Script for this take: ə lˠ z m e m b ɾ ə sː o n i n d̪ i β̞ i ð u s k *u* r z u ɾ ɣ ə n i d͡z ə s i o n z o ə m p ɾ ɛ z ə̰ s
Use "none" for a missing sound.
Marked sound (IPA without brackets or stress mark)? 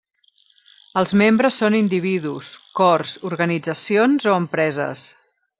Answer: ɔ